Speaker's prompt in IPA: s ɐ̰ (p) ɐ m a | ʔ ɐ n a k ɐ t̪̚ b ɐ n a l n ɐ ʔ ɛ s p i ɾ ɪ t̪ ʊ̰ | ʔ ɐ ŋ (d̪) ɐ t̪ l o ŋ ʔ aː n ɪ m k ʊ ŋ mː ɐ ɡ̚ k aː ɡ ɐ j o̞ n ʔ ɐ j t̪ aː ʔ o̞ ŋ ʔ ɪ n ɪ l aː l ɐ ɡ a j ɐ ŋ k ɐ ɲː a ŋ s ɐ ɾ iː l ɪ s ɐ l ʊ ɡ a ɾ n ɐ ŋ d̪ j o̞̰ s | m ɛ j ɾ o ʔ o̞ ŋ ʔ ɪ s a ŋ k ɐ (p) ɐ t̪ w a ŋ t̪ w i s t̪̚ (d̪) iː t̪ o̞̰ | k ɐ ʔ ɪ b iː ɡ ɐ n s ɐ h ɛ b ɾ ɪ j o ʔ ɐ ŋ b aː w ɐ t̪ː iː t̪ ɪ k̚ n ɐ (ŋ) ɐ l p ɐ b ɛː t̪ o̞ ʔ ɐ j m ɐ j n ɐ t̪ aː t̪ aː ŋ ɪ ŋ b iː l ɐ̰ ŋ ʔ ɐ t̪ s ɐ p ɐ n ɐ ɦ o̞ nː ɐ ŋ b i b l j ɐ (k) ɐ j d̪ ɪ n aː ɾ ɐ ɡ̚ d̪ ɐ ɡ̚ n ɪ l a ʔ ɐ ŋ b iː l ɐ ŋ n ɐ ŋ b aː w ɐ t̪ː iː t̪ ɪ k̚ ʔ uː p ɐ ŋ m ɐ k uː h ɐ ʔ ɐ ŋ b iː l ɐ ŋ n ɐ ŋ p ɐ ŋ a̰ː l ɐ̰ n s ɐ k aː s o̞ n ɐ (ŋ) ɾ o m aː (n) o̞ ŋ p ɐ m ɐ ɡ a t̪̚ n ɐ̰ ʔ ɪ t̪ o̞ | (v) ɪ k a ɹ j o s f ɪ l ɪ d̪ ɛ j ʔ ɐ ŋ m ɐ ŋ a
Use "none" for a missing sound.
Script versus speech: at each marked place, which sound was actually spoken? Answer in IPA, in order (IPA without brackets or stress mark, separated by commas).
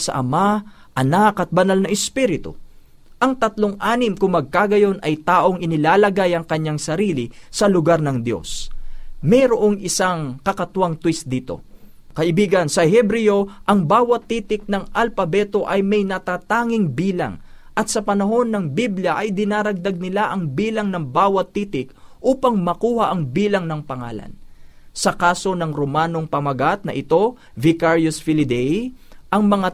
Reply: ʔ, t̪, k, d̪, ŋ, ʔ, ŋ, n, v